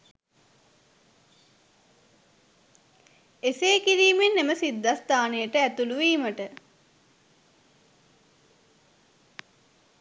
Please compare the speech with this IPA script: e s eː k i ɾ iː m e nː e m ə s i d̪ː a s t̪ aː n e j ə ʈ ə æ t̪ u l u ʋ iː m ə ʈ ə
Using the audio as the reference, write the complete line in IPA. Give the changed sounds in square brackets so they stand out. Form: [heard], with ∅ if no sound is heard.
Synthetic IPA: e s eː k i ɾ iː m e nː e m ə s i d̪ː a s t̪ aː n e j ə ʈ ə æ t̪ u l u ʋ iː m ə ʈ ə